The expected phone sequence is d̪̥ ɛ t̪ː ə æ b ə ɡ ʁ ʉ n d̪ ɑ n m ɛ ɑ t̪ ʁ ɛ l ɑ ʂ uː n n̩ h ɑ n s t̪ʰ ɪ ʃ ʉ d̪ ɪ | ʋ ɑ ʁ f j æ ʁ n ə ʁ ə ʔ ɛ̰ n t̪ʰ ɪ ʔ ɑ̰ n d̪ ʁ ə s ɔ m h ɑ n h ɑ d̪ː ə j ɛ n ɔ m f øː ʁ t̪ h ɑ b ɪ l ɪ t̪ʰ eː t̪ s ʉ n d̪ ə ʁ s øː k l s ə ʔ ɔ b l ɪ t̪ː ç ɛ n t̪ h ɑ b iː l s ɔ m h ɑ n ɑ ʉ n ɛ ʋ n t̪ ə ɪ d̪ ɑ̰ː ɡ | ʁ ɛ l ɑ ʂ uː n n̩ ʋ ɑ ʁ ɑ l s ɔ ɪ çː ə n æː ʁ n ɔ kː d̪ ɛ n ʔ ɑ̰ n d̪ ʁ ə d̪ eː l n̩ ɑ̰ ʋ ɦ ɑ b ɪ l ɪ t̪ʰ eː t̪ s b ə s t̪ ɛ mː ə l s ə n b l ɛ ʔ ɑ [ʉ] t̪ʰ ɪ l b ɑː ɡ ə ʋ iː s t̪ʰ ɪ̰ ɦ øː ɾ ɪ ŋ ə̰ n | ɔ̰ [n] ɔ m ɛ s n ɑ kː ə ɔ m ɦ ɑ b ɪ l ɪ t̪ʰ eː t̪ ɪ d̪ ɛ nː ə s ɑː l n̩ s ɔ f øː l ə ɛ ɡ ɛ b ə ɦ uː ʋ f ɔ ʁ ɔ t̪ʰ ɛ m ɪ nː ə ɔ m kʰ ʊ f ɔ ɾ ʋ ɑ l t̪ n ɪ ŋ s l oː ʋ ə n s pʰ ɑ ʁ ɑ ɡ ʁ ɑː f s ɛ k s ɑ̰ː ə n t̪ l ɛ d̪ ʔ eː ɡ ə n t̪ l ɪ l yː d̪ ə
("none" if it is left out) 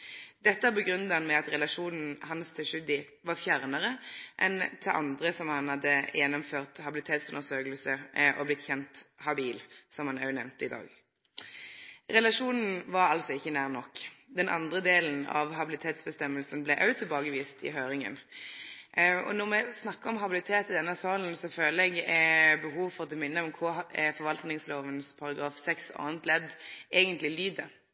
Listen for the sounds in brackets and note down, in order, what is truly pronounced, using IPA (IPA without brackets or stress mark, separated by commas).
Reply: ʉ, n